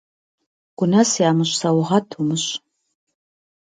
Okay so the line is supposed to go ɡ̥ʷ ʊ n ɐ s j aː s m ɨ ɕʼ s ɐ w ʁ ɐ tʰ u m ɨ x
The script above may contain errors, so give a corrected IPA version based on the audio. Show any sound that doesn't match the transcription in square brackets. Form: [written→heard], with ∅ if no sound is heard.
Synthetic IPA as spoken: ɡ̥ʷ ʊ n ɐ s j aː [s→∅] m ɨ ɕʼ s ɐ w ʁ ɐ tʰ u m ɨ [x→ɕ]